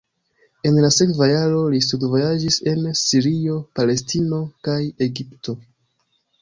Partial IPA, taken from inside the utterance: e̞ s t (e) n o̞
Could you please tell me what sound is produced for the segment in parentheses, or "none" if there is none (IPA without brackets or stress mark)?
i